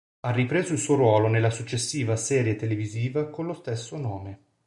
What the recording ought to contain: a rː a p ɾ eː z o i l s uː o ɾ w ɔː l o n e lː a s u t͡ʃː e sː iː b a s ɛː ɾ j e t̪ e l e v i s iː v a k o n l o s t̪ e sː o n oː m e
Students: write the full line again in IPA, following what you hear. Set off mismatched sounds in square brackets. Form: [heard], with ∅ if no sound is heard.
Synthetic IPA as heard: a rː [i] p ɾ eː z o i l s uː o ɾ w ɔː l o n e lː a s u t͡ʃː e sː iː [v] a s ɛː ɾ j e t̪ e l e v i [z] iː v a k o n l o s t̪ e sː o n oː m e